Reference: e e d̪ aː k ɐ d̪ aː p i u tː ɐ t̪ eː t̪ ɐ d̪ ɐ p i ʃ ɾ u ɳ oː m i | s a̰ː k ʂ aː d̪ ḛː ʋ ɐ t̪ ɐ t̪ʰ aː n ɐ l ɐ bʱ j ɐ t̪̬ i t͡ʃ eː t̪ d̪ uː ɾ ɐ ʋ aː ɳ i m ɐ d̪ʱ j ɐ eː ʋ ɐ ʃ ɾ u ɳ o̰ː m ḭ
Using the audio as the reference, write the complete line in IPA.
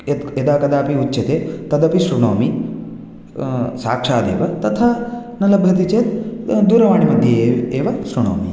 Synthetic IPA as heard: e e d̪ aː k ɐ d̪ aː p i u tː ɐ t̪ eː t̪ ɐ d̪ ɐ p i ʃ ɾ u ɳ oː m i | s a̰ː k ʂ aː d̪ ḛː ʋ ɐ t̪ ɐ t̪ʰ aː n ɐ l ɐ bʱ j ɐ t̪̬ i t͡ʃ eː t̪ d̪ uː ɾ ɐ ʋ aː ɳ i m ɐ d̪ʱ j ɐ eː ʋ ɐ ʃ ɾ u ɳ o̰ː m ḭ